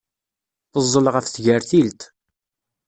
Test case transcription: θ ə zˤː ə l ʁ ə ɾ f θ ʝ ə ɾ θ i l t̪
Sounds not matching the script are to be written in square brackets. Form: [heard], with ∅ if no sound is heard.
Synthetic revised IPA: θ ə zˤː ə l ʁ ə [∅] f θ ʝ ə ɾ θ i l t̪